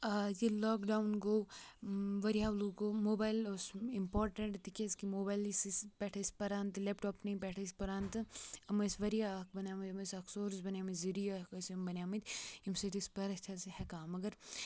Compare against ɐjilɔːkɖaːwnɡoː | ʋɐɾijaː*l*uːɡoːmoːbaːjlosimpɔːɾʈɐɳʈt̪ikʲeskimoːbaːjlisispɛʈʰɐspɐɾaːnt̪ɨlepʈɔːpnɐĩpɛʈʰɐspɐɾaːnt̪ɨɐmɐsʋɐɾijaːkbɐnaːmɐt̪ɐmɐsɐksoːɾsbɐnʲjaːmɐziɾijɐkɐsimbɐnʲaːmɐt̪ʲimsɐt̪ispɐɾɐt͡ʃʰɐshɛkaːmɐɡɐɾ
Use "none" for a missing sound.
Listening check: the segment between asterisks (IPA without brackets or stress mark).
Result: l